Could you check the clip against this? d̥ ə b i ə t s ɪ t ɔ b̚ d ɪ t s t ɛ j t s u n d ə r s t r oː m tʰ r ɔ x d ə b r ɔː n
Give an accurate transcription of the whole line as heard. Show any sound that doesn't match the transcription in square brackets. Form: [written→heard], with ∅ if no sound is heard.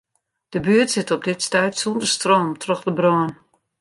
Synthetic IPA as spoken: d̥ ə b [i→y] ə t s ɪ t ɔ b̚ d ɪ t s t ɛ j t s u n d ə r s t r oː m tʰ r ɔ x d ə b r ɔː n